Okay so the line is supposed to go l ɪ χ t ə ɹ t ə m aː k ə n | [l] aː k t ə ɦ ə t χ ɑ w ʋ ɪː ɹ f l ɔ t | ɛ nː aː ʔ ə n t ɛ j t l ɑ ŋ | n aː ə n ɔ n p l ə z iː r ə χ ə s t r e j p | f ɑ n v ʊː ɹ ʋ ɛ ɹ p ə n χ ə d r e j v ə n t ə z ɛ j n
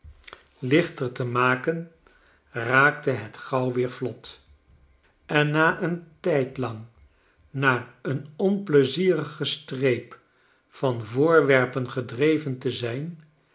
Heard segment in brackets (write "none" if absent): r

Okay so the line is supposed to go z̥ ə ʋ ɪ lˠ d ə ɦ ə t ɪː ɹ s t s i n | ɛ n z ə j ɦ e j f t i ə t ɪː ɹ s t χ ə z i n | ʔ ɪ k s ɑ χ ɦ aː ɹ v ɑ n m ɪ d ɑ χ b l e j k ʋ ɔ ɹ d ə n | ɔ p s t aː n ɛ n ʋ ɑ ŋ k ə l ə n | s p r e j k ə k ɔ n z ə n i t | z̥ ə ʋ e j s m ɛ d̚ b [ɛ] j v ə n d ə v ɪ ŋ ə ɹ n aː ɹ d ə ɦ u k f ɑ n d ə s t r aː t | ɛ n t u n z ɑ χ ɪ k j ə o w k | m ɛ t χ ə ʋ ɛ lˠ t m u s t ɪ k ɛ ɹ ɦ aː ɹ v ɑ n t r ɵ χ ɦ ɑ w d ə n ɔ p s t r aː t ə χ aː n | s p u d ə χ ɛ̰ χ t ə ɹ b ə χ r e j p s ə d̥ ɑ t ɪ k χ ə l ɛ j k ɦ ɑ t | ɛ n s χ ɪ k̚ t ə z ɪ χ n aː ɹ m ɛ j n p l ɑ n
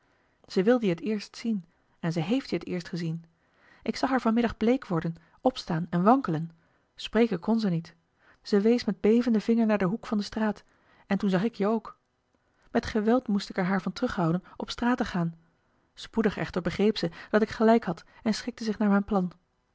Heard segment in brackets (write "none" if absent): e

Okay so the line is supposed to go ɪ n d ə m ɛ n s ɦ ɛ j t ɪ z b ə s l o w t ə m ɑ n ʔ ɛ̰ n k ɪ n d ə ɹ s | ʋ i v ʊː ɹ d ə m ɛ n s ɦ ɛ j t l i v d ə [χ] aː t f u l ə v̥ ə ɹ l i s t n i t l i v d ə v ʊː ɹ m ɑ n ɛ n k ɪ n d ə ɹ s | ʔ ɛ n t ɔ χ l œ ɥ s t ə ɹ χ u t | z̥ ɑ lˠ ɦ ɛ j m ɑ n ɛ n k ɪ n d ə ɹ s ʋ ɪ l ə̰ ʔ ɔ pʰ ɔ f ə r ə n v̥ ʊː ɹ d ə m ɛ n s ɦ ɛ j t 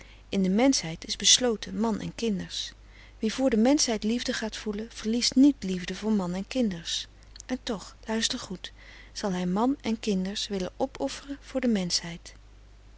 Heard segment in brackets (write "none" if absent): χ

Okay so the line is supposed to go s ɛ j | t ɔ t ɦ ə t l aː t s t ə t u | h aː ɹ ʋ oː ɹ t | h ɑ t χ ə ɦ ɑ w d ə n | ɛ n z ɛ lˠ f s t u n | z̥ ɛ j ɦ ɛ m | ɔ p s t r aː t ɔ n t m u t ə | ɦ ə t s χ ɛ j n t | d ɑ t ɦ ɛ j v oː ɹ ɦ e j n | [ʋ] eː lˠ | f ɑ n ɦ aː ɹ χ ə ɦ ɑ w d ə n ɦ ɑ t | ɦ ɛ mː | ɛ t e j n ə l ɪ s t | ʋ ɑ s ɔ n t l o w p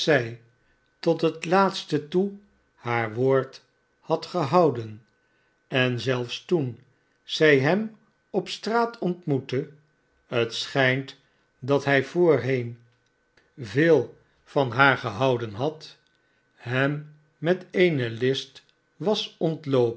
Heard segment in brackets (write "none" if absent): v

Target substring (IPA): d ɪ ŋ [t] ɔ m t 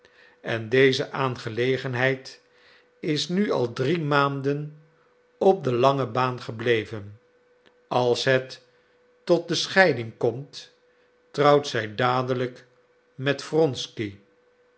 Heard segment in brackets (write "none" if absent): k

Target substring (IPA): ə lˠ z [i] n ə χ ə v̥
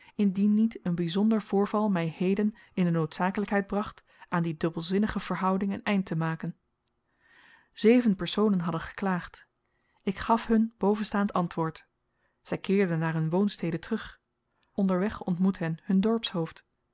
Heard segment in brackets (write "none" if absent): ɪ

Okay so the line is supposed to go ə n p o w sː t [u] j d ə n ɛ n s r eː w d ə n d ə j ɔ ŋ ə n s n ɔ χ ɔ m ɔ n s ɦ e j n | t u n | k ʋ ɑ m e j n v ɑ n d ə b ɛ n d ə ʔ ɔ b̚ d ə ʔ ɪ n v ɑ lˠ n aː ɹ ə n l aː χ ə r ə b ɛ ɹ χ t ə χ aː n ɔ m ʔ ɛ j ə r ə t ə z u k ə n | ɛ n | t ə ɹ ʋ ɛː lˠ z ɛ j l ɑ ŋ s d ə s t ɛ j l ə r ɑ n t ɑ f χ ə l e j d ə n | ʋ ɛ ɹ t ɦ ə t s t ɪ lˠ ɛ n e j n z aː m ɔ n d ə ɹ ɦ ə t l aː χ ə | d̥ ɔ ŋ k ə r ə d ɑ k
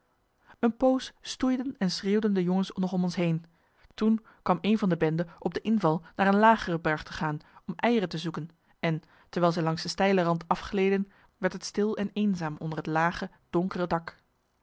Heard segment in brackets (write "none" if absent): u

